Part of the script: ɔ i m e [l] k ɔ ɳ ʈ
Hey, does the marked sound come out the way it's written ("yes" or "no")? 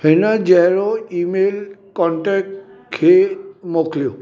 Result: yes